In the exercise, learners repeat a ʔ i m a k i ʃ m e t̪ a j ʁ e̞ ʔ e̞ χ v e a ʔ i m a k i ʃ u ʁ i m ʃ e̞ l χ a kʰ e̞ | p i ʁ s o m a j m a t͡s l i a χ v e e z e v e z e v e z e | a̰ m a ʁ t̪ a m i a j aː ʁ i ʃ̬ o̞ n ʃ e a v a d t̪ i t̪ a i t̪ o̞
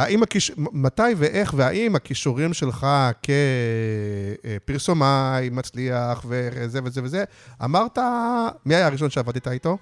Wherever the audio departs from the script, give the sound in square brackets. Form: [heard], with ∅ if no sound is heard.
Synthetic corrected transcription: a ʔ i m a k i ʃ m [a] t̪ a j [v] e̞ ʔ e̞ χ v e a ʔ i m a k i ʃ u ʁ i m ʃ e̞ l χ a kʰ e̞ | p i ʁ s o m a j m a t͡s l i a χ v e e z e v e z e v e z e | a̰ m a ʁ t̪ a m i a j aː ʁ i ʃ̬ o̞ n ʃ e a v a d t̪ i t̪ a i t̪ o̞